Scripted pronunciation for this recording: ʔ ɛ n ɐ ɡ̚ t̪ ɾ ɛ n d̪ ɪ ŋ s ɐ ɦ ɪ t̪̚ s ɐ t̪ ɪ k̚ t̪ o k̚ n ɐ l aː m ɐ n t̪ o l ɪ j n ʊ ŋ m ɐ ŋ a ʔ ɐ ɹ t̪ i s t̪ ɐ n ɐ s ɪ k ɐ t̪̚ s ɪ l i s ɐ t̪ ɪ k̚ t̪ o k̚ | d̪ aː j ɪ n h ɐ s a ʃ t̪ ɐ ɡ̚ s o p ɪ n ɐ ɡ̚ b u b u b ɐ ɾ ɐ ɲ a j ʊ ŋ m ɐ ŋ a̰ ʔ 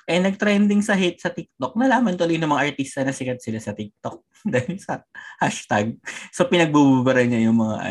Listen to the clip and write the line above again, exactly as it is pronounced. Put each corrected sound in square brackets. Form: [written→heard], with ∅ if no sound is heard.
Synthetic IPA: ʔ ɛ n ɐ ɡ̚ t̪ ɾ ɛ n d̪ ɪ ŋ s ɐ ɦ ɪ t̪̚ s ɐ t̪ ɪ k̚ t̪ o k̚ n ɐ l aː m ɐ n t̪ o l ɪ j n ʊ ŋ m ɐ ŋ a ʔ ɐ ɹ t̪ i s t̪ ɐ n ɐ s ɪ k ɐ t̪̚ s ɪ l [i→a] s ɐ t̪ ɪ k̚ t̪ o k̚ | d̪ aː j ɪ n [h→s] ɐ [s→h] a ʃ t̪ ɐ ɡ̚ s o p ɪ n ɐ ɡ̚ b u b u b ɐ ɾ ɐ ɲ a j ʊ ŋ m ɐ ŋ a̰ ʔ